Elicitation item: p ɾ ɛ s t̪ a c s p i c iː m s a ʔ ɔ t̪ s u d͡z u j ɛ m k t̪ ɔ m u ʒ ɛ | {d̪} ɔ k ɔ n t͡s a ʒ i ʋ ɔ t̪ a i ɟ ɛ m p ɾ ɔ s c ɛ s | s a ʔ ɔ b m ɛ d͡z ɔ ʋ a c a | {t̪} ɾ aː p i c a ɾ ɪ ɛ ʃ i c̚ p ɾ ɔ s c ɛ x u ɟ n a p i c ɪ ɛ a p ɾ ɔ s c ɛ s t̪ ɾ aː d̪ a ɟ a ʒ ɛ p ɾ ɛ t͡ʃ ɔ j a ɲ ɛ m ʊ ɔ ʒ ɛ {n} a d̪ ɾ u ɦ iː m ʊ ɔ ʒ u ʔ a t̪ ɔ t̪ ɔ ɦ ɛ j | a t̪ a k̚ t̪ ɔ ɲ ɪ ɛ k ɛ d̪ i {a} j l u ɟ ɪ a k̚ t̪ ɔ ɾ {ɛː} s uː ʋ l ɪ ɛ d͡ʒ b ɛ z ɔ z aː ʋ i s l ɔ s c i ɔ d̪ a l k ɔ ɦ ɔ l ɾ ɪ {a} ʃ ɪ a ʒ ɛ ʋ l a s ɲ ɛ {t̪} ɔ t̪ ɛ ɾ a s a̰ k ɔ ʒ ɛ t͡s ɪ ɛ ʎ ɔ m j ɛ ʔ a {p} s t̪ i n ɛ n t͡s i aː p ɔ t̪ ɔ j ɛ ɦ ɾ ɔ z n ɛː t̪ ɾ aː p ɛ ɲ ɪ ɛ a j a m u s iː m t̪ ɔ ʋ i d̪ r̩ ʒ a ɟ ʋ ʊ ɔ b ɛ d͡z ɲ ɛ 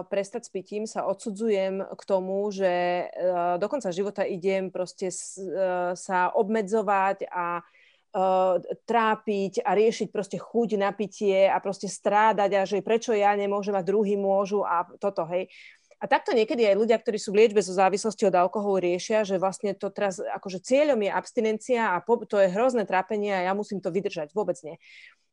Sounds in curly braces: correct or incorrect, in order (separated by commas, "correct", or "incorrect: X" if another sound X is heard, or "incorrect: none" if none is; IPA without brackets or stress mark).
correct, correct, incorrect: m, correct, incorrect: iː, incorrect: ɛ, correct, correct